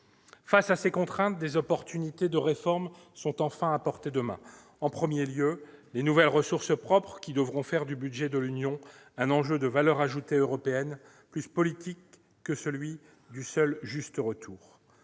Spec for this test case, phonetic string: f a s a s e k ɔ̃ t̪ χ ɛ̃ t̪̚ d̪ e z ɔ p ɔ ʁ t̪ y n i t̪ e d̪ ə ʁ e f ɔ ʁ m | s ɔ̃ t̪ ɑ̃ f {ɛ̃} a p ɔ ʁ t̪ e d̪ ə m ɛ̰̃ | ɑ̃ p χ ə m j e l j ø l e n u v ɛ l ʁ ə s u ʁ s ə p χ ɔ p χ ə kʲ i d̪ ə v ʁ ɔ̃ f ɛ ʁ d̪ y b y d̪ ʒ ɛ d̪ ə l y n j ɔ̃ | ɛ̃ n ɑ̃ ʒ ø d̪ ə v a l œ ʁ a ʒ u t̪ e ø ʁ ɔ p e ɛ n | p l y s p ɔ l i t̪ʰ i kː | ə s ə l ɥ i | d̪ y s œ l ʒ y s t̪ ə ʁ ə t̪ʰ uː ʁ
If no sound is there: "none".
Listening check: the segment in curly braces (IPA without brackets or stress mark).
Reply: ɛ̃